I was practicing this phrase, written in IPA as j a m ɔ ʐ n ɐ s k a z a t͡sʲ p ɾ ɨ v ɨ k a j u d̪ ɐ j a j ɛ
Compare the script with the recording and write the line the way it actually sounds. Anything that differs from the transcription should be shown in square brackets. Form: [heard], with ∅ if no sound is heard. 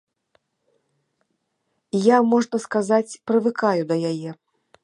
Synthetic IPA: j a m ɔ ʐ n ɐ s k a z a t͡sʲ p ɾ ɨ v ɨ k a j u d̪ ɐ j a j ɛ